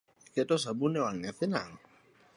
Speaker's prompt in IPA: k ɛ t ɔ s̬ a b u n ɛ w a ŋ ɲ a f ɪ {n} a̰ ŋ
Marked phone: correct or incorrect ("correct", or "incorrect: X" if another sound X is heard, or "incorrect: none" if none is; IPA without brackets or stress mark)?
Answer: correct